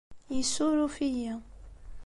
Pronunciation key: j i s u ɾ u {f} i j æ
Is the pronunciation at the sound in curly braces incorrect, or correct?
correct